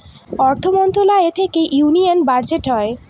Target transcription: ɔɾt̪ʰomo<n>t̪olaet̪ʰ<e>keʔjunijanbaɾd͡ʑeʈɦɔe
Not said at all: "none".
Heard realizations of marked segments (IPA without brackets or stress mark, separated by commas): n, e